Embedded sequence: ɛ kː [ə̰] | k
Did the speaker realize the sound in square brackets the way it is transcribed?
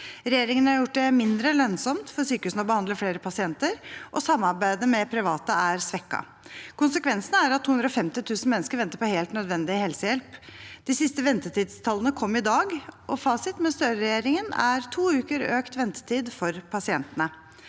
no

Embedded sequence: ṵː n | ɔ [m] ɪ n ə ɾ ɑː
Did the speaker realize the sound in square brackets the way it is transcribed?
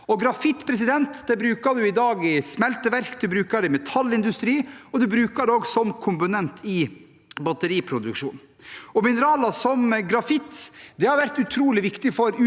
yes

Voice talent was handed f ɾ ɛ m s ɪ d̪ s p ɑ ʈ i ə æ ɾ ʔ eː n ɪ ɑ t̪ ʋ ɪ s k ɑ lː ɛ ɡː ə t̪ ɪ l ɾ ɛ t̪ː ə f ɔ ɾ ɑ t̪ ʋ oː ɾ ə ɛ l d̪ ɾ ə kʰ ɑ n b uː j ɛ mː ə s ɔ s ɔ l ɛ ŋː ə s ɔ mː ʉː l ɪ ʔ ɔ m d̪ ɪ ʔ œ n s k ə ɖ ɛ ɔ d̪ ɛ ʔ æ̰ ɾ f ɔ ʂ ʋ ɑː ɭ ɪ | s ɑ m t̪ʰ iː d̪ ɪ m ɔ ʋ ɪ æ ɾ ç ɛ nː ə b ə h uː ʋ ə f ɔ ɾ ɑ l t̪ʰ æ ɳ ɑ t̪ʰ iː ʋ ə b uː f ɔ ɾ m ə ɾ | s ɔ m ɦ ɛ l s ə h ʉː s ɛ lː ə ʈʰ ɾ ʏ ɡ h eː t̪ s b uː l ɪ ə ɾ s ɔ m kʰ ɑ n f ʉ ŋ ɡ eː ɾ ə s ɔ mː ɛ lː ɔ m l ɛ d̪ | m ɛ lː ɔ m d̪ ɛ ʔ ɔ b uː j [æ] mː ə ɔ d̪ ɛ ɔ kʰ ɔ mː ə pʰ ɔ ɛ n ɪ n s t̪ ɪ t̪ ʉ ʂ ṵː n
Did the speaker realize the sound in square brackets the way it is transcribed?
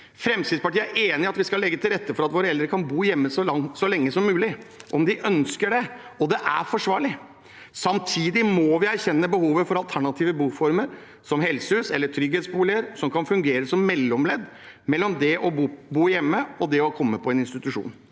no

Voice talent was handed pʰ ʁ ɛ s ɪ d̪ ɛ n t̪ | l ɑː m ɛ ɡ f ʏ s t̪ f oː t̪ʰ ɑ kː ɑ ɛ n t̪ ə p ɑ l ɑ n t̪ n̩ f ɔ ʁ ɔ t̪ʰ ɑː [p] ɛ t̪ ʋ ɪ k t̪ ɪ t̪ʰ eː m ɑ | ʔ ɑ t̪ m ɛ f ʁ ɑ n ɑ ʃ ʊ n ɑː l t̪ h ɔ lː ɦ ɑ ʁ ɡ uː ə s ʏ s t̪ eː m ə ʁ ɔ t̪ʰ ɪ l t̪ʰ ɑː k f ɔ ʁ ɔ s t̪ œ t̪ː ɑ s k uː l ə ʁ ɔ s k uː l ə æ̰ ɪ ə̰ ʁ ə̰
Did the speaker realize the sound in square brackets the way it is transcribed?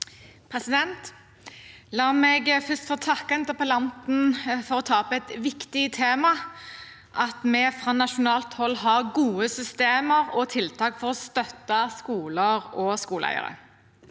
yes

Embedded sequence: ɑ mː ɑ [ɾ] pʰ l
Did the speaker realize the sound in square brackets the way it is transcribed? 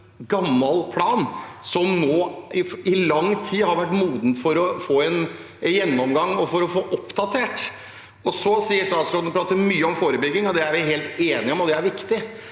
no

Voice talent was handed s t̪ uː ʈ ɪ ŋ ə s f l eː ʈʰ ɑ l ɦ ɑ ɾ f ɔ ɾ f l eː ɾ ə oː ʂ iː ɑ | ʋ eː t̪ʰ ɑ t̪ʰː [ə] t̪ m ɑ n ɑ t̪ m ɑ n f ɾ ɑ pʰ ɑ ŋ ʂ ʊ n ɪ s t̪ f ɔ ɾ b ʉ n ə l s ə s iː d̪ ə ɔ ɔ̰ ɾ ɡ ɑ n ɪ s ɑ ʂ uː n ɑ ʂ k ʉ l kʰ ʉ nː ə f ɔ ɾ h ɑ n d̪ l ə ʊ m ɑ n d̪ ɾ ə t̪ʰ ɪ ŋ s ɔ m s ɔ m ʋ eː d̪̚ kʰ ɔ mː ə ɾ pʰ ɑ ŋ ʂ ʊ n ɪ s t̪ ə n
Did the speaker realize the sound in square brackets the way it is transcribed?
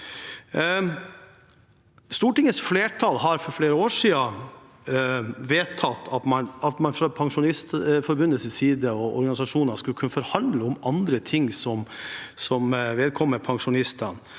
no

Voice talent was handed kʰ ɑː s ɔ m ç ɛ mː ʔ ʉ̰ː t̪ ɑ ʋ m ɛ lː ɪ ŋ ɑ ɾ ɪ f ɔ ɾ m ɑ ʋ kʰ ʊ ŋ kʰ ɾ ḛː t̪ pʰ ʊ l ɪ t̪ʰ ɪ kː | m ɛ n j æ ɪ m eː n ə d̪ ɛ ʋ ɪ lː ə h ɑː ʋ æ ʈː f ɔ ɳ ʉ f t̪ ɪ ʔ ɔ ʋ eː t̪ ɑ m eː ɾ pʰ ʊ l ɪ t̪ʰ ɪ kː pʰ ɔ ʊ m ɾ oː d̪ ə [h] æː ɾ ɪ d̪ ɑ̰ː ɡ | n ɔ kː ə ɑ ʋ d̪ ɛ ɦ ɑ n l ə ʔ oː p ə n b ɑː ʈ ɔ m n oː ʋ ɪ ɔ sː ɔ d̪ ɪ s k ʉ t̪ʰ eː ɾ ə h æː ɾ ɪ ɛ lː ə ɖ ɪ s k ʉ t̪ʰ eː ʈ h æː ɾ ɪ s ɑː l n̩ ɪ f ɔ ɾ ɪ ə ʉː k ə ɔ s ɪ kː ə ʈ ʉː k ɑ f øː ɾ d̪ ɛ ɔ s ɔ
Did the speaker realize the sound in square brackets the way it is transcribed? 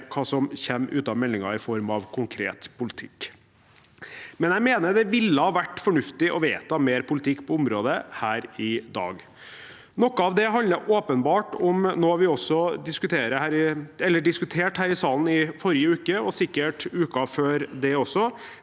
yes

